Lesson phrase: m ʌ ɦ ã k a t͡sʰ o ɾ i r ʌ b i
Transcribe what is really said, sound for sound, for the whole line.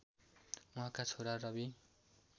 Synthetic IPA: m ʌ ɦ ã k a t͡sʰ o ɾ a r ʌ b i